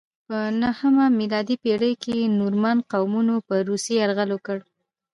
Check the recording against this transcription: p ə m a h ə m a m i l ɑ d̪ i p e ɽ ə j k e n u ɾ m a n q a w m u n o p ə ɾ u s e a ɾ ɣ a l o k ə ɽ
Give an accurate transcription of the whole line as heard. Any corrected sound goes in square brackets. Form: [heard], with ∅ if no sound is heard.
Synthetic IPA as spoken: p ə [n] a h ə m a m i l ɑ d̪ i p e ɽ ə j k e n u ɾ m a n q a w m u n o p ə ɾ u s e a ɾ ɣ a l o k ə ɽ